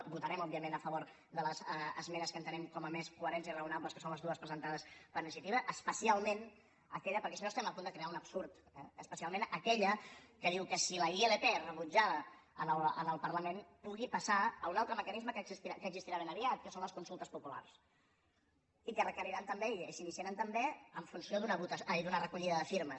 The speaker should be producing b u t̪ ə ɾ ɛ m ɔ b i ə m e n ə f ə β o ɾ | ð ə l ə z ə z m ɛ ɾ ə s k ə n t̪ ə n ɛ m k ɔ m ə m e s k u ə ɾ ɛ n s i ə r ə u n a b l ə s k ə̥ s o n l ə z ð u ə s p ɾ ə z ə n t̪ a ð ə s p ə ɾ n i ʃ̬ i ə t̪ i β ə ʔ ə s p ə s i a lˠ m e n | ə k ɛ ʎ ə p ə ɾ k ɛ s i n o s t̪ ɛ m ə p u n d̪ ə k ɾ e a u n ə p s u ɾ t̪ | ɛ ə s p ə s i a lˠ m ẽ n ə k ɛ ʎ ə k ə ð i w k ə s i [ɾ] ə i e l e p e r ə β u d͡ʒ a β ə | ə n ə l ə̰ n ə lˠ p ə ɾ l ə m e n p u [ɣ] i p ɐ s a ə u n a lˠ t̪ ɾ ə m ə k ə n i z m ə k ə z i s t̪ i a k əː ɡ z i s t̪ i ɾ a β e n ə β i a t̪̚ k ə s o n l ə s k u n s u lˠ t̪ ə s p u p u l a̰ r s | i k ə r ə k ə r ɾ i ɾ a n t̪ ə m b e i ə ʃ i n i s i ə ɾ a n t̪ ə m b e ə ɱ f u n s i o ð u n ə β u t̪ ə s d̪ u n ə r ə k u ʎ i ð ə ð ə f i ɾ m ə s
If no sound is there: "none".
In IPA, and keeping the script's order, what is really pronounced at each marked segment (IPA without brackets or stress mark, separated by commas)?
l, ɣ